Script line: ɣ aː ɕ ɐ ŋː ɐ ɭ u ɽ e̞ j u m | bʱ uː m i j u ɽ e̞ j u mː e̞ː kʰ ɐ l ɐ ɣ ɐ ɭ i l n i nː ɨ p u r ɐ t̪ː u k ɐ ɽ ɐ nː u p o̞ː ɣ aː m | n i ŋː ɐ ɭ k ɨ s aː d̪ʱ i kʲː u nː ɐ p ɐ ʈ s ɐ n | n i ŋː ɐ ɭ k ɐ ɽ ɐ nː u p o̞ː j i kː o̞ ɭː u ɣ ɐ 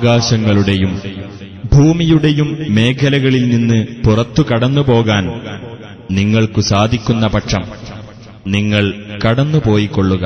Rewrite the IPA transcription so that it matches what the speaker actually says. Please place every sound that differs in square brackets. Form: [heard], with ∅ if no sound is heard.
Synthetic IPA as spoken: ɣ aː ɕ ɐ ŋː ɐ ɭ u ɽ e̞ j u m | bʱ uː m i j u ɽ e̞ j u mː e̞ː kʰ ɐ l ɐ ɣ ɐ ɭ i l n i nː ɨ p u r ɐ t̪ː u k ɐ ɽ ɐ nː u p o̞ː ɣ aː [n] | n i ŋː ɐ ɭ k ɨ s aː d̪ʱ i kʲː u nː ɐ p ɐ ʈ [ʂ] ɐ [m] | n i ŋː ɐ ɭ k ɐ ɽ ɐ nː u p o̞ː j i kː o̞ ɭː u ɣ ɐ